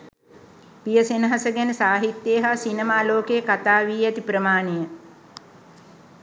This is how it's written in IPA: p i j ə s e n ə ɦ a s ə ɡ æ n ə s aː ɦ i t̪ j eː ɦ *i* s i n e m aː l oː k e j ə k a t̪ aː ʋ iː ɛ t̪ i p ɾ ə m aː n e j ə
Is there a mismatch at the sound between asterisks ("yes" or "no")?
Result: yes